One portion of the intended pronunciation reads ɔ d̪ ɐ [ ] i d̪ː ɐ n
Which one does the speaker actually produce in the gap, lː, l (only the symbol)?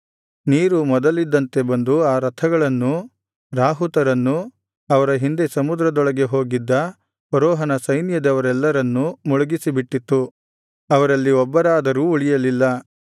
l